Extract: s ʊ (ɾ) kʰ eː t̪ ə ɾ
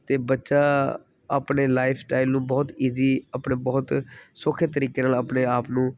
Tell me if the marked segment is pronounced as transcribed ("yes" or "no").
no